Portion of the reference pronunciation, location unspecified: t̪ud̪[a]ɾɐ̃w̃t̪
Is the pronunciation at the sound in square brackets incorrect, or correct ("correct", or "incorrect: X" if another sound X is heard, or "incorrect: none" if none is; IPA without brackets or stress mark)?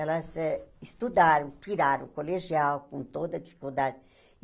correct